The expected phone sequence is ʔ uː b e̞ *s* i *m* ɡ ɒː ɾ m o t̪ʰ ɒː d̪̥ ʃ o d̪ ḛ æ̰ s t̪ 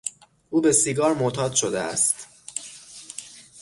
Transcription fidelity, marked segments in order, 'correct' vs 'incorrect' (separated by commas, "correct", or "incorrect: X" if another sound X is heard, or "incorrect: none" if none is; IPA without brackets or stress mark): correct, incorrect: none